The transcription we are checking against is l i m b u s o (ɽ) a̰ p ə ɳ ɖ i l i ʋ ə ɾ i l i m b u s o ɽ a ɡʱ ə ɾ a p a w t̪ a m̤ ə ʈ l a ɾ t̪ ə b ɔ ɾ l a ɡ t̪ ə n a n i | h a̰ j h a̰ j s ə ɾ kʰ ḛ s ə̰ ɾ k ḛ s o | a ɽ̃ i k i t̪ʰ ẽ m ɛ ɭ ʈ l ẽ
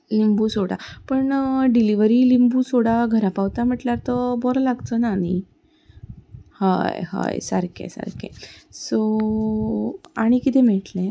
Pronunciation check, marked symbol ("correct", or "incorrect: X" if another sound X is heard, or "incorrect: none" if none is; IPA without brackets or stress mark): correct